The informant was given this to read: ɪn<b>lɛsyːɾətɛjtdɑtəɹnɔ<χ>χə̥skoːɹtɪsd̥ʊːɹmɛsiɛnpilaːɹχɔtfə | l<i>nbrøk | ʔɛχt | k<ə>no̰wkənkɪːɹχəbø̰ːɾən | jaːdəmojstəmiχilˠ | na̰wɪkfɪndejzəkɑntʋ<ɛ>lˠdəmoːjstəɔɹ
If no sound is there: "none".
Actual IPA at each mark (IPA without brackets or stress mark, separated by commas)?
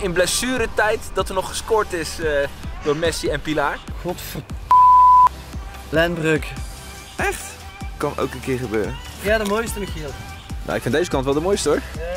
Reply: b, χ, ɛ, ɑ, ɛ